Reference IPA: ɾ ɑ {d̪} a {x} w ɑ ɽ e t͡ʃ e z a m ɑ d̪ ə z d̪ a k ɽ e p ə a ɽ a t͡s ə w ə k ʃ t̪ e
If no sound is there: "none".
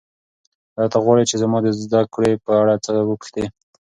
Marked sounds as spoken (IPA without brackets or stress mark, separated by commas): t̪, ɣ